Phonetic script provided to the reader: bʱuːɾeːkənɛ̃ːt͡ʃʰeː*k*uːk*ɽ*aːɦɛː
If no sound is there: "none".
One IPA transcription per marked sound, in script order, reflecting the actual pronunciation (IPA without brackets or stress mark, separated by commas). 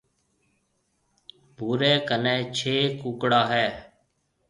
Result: k, ɽ